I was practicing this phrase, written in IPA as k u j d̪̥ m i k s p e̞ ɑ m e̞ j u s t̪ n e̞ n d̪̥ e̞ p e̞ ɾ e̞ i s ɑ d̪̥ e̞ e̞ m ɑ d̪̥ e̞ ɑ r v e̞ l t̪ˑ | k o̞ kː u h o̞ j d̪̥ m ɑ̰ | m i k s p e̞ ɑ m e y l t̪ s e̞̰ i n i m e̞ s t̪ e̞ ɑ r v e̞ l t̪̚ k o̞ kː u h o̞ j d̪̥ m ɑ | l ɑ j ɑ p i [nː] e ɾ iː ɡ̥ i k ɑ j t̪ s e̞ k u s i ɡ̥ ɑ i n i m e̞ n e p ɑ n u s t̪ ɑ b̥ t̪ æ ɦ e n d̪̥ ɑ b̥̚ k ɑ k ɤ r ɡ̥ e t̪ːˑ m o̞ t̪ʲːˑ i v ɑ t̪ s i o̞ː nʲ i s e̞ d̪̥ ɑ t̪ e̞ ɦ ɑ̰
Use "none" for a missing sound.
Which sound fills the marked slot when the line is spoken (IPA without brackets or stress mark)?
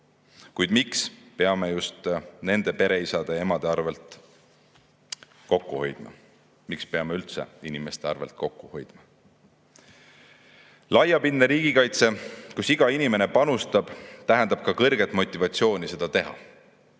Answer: nː